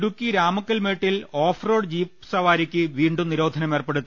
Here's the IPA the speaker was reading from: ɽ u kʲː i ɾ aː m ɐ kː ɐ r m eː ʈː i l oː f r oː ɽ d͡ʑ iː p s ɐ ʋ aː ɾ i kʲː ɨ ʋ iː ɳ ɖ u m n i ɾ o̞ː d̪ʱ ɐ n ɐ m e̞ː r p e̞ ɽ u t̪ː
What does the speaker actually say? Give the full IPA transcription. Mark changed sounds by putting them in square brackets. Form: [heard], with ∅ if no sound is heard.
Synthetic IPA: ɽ u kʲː i ɾ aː m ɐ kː ɐ [l] m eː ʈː i l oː f r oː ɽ d͡ʑ iː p s ɐ ʋ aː ɾ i kʲː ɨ ʋ iː ɳ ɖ u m n i ɾ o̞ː d̪ʱ ɐ n ɐ m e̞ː r p e̞ ɽ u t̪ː